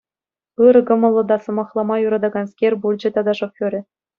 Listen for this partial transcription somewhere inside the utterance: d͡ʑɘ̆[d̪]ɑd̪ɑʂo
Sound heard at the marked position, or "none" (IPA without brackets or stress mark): t̪